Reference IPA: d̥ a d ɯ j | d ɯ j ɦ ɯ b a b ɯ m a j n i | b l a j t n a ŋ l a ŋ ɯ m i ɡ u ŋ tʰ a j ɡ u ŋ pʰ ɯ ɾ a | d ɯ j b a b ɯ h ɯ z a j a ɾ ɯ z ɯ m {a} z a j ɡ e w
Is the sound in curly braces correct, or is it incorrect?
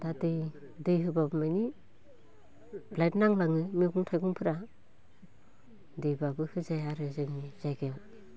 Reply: incorrect